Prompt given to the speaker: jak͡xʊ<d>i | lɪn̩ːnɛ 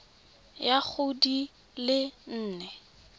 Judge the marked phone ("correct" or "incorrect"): correct